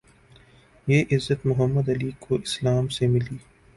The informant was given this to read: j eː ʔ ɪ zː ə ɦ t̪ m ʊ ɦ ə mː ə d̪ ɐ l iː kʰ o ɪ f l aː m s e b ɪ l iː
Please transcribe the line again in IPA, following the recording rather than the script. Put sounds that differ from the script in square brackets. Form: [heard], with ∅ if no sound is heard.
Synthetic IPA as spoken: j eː ʔ ɪ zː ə [∅] t̪ m ʊ ɦ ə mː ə d̪ ɐ l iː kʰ o ɪ [s] l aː m s e [m] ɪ l iː